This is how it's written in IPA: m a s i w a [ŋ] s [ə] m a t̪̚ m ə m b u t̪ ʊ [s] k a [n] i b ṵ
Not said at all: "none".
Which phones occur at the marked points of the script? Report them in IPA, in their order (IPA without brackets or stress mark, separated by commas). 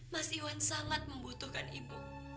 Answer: n, a, h, n